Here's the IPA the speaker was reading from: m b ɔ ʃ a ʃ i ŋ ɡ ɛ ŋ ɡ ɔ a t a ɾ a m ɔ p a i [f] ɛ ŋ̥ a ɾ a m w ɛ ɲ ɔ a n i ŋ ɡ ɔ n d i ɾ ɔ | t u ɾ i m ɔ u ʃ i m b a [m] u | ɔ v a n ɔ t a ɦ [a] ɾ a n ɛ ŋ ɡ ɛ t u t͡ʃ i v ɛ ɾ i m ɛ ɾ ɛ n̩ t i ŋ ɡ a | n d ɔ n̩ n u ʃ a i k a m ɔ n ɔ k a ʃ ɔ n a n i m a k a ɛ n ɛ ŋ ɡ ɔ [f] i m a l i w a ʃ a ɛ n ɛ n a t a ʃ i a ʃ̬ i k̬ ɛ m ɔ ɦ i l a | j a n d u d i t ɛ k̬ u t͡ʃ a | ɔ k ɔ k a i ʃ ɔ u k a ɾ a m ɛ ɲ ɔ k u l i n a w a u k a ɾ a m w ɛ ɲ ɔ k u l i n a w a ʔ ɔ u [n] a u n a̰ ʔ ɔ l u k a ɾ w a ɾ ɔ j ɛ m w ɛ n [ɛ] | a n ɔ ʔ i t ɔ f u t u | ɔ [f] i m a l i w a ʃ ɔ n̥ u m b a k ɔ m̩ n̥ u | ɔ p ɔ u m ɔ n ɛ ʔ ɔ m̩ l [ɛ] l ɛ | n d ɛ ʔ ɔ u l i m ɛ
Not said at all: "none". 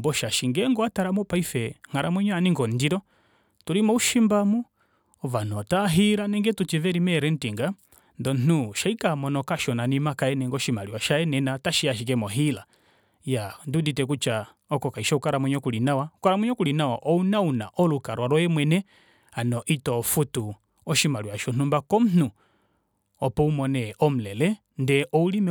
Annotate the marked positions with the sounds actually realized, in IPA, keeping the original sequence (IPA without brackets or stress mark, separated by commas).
f, m, i, ʃ, n, ɛ, ʃ, ɛ